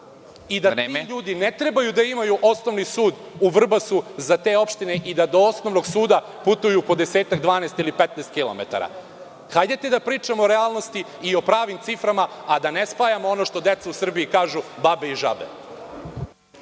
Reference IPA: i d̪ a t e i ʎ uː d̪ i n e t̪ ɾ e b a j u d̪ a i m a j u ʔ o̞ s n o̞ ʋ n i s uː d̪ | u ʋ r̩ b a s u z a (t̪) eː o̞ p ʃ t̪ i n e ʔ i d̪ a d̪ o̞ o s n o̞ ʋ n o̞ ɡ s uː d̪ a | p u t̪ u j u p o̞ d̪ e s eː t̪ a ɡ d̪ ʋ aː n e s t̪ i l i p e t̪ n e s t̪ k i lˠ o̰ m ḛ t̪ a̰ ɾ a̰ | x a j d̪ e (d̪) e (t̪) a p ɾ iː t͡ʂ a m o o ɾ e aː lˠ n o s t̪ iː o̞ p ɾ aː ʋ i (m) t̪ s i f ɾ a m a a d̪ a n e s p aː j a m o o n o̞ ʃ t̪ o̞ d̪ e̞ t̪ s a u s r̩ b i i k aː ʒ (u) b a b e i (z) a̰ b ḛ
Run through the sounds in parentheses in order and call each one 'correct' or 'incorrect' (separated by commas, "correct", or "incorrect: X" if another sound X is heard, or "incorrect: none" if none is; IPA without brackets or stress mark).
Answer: correct, incorrect: t̪, incorrect: d̪, correct, correct, incorrect: ʒ